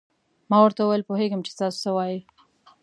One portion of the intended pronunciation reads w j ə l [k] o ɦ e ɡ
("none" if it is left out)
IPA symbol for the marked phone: p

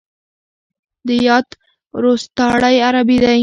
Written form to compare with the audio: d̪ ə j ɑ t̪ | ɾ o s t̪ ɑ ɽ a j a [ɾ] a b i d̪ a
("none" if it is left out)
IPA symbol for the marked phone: ɾ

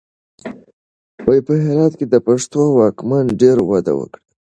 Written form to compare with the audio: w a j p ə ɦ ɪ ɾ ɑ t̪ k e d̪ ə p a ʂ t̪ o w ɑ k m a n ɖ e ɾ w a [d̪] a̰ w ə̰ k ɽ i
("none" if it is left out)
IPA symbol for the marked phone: d̪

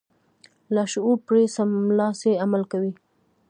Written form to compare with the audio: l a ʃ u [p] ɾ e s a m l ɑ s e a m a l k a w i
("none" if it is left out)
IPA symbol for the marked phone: p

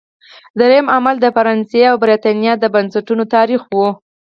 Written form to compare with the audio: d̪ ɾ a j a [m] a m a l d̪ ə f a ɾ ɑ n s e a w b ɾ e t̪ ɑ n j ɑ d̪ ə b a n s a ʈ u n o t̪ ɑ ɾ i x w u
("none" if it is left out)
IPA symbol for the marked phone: m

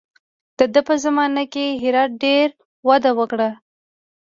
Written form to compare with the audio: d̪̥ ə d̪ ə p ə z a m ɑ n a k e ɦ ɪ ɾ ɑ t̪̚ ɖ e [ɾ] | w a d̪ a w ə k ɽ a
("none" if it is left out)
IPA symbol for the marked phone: ɾ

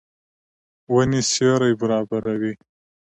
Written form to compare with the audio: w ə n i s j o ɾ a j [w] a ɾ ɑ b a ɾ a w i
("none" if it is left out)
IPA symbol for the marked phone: b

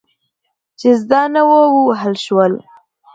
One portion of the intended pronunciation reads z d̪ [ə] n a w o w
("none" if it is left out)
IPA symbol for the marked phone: ɑ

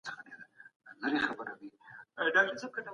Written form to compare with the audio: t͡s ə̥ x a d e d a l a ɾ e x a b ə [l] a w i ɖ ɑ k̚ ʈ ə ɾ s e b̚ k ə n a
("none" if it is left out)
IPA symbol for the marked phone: ɾ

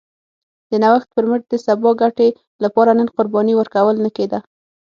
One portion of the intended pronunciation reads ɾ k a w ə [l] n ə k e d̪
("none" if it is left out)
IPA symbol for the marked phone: l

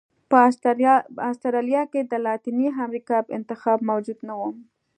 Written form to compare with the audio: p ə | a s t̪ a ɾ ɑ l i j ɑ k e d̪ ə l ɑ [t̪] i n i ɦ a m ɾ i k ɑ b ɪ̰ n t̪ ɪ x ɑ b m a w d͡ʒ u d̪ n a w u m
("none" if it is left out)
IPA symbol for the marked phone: t̪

